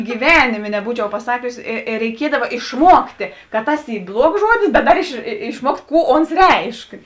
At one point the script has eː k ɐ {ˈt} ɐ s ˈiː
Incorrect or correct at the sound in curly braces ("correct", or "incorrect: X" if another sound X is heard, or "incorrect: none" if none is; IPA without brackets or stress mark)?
correct